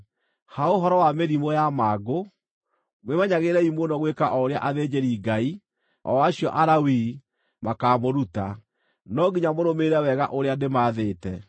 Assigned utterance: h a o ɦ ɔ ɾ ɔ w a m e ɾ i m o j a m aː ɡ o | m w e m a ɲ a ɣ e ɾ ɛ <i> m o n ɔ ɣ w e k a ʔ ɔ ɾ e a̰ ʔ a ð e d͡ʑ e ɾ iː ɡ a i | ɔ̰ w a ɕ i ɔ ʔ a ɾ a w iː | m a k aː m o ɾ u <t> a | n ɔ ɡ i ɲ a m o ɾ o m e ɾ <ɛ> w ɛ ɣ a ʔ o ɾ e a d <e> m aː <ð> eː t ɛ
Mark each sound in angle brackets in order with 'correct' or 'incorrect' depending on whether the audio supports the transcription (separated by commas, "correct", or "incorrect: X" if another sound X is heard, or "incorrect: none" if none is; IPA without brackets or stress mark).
correct, correct, correct, correct, correct